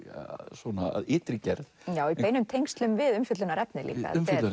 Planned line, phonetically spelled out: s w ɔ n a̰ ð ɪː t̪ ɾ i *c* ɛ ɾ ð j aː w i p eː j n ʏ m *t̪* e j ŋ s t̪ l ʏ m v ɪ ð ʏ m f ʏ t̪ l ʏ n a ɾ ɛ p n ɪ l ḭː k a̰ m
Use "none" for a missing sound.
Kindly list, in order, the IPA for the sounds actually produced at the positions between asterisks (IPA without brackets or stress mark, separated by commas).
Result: c, t̪ʰ